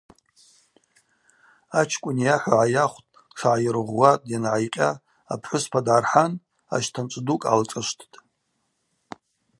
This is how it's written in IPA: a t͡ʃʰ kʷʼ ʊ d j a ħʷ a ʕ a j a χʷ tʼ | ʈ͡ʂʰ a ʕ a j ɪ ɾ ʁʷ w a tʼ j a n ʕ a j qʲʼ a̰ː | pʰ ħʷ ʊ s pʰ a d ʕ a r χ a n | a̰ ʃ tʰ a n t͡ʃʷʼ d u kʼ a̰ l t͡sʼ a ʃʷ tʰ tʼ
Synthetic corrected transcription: a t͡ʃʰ kʷʼ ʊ n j a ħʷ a ʕ a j a χʷ tʼ | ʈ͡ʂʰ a ʕ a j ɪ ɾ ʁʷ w a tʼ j a n ʕ a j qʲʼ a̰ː | pʰ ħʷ ʊ s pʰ a d ʕ a r ħ a n | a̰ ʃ tʰ a n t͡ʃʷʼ d u kʼ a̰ l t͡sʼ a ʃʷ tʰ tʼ